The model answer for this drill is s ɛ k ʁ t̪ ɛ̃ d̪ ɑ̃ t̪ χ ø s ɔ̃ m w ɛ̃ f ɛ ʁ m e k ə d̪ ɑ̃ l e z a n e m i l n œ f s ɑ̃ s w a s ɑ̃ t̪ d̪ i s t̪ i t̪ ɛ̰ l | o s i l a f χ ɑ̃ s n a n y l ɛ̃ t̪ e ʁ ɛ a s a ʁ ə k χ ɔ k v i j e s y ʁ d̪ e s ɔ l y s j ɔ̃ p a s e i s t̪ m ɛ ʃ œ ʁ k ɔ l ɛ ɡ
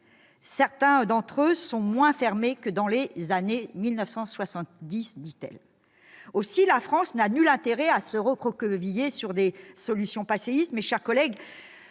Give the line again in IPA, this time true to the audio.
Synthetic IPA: s ɛ ʁ t̪ ɛ̃ d̪ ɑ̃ t̪ χ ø s ɔ̃ m w ɛ̃ f ɛ ʁ m e k ə d̪ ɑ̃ l e z a n e m i l n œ f s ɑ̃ s w a s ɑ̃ t̪ d̪ i s d̪ i t̪ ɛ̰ l | o s i l a f χ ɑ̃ s n a n y l ɛ̃ t̪ e ʁ ɛ a s ə ʁ ə k χ ɔ k v i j e s y ʁ d̪ e s ɔ l y s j ɔ̃ p a s e i s t̪ m ɛ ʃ ɛ ʁ k ɔ l ɛ ɡ